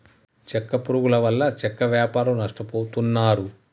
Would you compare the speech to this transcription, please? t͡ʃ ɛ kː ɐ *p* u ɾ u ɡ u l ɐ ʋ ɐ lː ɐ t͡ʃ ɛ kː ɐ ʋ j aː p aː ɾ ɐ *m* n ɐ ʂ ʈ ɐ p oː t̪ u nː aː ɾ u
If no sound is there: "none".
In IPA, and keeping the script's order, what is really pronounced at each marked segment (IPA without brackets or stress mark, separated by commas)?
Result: p, m